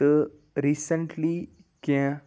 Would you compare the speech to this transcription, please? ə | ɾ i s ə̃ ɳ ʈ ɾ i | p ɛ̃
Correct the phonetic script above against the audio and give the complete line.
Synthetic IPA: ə | ɾ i s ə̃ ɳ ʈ l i | k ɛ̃